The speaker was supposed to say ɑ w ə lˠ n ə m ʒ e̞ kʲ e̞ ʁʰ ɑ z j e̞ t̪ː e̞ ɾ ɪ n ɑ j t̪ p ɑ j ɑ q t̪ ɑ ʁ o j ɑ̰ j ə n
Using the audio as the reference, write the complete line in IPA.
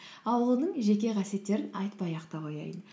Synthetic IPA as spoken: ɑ w ə lˠ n ə ɴ ʒ e̞ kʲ e̞ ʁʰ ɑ s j e̞ t̪ː e̞ ɾ ɪ n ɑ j t̪ p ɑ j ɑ q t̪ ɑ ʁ o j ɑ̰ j ə n